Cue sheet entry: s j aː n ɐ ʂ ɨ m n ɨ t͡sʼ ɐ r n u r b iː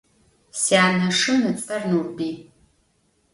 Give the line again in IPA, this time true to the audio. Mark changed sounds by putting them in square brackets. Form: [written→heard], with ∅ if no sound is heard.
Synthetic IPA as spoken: s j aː n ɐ ʂ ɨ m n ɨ t͡sʼ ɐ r n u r b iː